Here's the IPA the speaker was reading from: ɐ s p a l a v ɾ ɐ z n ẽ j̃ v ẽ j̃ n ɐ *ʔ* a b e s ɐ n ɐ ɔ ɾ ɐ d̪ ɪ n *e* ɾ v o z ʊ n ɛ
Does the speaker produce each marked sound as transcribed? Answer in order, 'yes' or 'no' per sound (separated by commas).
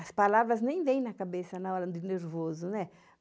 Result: no, yes